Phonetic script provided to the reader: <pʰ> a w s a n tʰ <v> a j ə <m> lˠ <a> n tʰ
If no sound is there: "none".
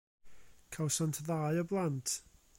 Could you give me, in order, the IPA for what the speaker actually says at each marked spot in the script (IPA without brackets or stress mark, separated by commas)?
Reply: kʰ, ð, b, a